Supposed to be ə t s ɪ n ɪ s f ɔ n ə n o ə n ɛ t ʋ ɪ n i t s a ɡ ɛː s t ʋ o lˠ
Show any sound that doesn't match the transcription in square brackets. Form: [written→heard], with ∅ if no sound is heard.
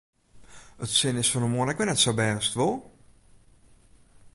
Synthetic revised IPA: ə t s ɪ n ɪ s f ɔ n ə [n→m] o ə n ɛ [t→k] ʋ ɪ n [i→ɛ] t s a [ɡ→b] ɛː s t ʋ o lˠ